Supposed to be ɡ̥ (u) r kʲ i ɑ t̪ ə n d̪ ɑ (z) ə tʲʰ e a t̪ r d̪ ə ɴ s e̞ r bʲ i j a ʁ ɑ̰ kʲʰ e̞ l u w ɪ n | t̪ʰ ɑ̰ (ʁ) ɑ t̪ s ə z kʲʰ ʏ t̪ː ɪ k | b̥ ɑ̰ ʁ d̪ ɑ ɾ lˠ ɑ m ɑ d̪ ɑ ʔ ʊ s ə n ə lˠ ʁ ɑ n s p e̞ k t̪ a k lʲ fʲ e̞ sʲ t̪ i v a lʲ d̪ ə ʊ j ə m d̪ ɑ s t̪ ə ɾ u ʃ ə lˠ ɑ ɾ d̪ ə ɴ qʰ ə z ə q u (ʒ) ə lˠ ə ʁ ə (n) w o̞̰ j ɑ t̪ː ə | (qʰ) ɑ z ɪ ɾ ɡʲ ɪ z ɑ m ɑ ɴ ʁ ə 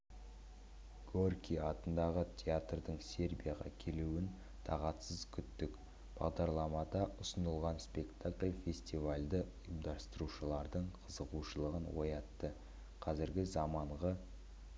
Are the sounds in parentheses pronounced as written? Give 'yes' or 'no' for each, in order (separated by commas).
no, no, yes, no, yes, yes